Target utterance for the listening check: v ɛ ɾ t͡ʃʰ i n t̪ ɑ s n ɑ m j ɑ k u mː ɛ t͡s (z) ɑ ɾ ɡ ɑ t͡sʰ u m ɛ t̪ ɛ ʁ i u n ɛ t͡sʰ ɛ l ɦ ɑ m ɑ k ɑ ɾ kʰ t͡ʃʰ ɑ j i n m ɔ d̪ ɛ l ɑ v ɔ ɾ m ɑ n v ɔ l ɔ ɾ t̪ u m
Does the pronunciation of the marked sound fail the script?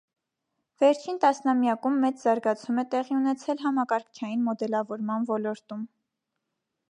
no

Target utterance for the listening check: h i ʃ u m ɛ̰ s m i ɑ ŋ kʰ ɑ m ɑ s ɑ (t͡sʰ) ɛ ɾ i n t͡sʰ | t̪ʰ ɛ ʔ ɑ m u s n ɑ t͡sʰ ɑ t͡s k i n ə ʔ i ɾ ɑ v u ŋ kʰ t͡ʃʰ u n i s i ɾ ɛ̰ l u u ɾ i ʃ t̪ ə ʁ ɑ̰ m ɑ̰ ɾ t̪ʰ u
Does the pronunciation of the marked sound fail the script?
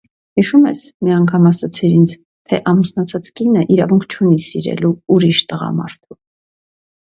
no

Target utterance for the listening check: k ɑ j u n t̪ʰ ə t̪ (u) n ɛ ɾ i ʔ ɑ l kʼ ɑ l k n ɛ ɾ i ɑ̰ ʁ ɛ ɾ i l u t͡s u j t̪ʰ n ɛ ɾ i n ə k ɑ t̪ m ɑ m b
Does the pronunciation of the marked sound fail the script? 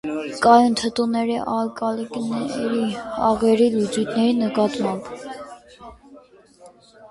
no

